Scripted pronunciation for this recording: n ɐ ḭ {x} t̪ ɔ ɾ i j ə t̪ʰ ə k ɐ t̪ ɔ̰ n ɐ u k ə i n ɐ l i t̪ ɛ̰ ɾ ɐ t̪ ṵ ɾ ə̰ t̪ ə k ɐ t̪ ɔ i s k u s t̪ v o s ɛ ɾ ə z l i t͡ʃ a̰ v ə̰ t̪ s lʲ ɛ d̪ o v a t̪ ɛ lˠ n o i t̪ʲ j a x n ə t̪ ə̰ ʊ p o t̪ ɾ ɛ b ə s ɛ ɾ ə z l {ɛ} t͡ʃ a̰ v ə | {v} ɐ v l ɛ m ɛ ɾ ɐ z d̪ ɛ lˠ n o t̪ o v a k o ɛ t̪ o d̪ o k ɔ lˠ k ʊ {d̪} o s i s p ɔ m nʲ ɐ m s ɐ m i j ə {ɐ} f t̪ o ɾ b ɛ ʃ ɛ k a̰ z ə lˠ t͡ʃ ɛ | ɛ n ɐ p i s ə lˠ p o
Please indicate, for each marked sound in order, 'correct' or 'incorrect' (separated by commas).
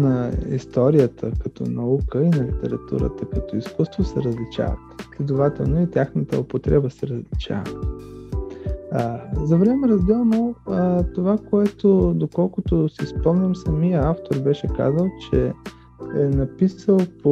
incorrect, incorrect, incorrect, incorrect, incorrect